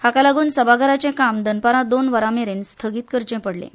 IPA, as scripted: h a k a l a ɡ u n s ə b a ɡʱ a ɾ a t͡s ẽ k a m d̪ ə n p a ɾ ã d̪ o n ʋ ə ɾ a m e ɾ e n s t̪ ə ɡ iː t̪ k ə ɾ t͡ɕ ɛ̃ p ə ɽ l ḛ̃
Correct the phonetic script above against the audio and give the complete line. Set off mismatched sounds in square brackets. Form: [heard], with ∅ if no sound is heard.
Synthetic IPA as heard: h a k a l a ɡ [uː] n s ə b a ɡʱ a ɾ a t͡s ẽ k a m d̪ ə n p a ɾ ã d̪ o n ʋ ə ɾ a m e ɾ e n s [t̪ʰ] ə ɡ iː t̪ k ə ɾ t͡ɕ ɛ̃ p ə ɽ l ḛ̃